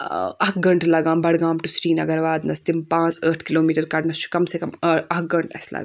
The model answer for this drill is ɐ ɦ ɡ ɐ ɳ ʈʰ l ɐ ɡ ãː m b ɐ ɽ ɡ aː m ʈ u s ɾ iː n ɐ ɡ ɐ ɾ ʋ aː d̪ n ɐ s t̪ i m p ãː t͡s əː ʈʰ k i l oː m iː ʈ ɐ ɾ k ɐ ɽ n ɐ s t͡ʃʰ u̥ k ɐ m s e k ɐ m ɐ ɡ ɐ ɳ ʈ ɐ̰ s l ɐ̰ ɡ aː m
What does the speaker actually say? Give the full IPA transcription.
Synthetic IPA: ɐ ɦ ɡ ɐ ɳ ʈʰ l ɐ ɡ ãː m b ɐ ɽ ɡ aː m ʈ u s ɾ iː n ɐ ɡ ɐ ɾ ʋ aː d̪ n ɐ s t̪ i m p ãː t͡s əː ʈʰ k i l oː m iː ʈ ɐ ɾ k ɐ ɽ n ɐ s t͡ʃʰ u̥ k ɐ m s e k ɐ m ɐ ɡ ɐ ɳ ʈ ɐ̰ s l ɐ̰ ɡ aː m